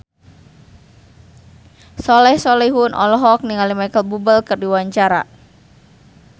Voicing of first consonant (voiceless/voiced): voiceless